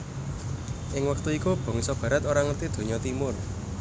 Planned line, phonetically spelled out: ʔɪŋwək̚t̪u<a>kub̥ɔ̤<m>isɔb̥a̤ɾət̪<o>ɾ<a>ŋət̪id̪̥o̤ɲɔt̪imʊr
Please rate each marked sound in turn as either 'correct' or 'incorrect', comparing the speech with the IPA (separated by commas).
incorrect, incorrect, correct, correct